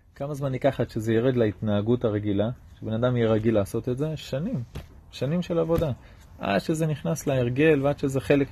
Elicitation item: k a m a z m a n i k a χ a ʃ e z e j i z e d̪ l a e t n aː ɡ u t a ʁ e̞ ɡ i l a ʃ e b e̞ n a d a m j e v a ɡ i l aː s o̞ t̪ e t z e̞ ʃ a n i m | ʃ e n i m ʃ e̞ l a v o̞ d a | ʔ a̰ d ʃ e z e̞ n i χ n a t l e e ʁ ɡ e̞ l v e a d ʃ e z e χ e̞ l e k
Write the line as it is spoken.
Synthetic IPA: k a m a z m a n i k a χ a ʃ e z e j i ʁ e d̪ l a i t n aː ɡ u t a ʁ e̞ ɡ i l a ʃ e b e̞ n a d a m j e ʁ a ɡ i l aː s o̞ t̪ e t z e̞ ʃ a n i m | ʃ a n i m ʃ e̞ l a v o̞ d a | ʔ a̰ d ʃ e z e̞ n i χ n a s l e e ʁ ɡ e̞ l v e a d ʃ e z e χ e̞ l e k